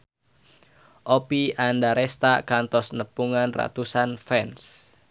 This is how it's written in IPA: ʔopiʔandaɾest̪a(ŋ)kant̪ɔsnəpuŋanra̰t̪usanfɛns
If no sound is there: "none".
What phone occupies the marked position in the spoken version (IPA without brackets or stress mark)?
none